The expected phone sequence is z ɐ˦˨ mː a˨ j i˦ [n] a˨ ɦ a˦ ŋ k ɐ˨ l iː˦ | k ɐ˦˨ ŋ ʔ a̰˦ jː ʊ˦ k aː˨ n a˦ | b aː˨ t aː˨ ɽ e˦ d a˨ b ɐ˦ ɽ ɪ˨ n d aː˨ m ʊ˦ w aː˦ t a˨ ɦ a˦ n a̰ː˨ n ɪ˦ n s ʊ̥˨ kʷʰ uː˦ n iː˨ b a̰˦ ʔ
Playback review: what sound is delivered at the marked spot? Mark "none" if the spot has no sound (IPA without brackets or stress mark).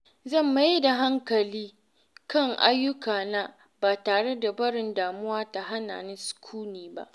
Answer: d